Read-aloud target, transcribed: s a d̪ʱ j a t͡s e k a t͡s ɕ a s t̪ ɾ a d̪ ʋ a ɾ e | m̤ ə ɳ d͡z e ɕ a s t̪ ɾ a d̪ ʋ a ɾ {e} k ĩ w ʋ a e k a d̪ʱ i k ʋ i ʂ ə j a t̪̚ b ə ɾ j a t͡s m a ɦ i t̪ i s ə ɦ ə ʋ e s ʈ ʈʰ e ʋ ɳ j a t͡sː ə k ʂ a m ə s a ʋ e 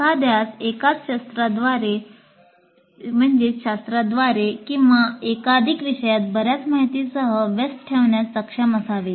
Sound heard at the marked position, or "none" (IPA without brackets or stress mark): e